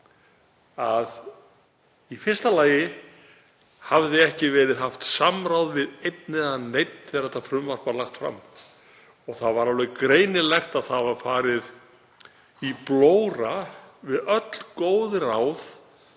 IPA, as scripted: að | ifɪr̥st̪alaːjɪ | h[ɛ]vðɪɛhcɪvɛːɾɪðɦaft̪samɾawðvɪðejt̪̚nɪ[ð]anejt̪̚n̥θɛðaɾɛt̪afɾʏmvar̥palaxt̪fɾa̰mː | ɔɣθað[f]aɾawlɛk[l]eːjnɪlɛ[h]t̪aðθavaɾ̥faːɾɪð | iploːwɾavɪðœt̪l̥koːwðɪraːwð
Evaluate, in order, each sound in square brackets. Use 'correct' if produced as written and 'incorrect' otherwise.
incorrect, correct, incorrect, incorrect, incorrect

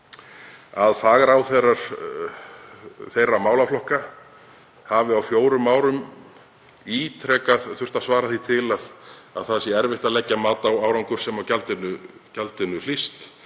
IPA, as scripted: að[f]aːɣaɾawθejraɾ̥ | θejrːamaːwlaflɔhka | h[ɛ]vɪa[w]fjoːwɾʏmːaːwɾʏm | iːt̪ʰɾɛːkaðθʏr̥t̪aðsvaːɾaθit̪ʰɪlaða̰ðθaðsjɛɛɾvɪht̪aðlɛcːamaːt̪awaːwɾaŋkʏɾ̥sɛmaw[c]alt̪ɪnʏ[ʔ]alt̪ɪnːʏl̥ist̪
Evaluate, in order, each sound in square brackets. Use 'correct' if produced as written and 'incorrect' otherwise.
correct, incorrect, correct, correct, incorrect

